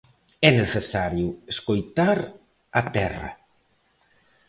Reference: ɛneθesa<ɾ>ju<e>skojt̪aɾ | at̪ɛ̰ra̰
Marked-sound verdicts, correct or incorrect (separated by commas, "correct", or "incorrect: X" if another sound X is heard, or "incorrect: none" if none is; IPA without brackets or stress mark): correct, correct